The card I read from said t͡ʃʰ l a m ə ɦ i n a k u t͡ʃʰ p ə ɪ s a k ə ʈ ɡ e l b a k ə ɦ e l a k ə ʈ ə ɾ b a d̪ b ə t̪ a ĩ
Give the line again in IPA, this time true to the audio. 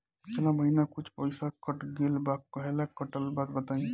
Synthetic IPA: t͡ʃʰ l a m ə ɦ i n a k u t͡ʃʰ p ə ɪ s a k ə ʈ ɡ e l b a k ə ɦ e l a k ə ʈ ə l b a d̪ b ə t̪ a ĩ